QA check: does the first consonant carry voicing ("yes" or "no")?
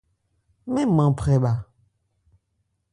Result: yes